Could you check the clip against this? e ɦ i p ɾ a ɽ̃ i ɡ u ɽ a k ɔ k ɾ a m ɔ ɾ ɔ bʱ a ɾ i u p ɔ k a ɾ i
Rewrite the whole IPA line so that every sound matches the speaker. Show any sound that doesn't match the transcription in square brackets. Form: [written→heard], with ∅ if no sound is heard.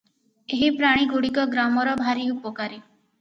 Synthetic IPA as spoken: e ɦ i p ɾ a ɽ̃ i ɡ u ɽ [a→i] k ɔ [k→ɡ] ɾ a m ɔ ɾ ɔ bʱ a ɾ i u p ɔ k a ɾ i

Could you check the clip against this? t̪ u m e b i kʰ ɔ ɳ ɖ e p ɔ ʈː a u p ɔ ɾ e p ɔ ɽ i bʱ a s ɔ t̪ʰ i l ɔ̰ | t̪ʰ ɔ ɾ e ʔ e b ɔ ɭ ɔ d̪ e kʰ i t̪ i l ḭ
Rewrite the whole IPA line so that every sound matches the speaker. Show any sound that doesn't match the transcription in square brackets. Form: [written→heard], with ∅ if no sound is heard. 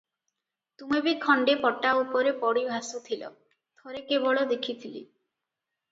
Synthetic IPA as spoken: t̪ u m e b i kʰ ɔ ɳ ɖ e p ɔ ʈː a u p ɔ ɾ e p ɔ ɽ i bʱ a s [ɔ→u] t̪ʰ i l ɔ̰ | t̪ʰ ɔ ɾ e [ʔ→k] e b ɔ ɭ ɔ d̪ e kʰ i [t̪→t̪ʰ] i l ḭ

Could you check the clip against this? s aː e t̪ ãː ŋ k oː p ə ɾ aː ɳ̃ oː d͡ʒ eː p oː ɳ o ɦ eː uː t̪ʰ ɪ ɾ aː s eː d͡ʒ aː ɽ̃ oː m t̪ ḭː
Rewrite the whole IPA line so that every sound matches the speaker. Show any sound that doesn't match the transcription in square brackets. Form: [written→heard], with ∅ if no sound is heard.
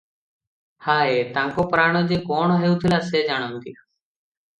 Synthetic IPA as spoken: [s→h] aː e t̪ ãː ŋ k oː p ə ɾ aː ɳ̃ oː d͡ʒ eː [p→k] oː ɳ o ɦ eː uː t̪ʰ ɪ [ɾ→l] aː s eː d͡ʒ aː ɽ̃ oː [m→n] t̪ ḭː

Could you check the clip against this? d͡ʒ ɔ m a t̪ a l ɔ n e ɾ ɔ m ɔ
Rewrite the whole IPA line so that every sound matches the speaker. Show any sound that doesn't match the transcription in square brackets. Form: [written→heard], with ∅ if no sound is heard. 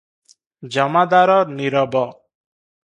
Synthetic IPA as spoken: d͡ʒ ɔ m a [t̪→d̪] a [l→ɾ] ɔ n [e→i] ɾ ɔ [m→b] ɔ

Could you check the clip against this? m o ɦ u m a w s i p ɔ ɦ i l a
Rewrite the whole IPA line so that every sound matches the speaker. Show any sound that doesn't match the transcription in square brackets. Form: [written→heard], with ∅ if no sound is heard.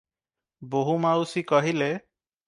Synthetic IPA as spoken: [m→b] o ɦ u m a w s i [p→k] ɔ ɦ i l [a→e]

